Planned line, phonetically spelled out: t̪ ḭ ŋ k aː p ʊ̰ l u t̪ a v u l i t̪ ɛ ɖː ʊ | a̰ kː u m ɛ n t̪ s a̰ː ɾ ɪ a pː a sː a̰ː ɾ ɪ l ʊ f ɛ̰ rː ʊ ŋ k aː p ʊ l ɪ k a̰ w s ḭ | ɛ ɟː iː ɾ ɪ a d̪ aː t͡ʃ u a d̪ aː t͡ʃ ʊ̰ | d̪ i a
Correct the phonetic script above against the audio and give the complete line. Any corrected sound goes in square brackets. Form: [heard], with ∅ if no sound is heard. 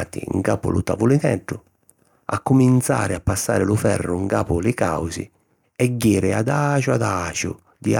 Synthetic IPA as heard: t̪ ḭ ŋ k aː p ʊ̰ l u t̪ a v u l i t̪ ɛ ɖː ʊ | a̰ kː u m [i] n t̪ s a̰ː ɾ ɪ a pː a sː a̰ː ɾ ɪ l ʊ f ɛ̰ rː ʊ ŋ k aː p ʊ l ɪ k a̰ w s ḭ | ɛ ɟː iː ɾ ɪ a d̪ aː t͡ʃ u a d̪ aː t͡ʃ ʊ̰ | d̪ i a